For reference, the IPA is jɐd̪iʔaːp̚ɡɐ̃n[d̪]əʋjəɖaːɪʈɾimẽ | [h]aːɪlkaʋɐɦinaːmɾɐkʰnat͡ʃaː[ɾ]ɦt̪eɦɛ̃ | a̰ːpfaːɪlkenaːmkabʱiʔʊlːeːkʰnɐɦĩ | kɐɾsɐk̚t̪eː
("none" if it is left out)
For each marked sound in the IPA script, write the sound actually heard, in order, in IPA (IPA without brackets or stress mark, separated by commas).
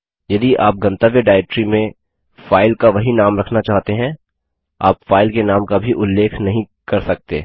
t̪, f, none